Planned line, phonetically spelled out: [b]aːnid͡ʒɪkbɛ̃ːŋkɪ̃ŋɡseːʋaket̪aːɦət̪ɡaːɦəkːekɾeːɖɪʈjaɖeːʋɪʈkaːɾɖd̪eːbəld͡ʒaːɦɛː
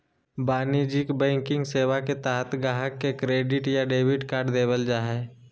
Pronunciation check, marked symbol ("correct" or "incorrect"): correct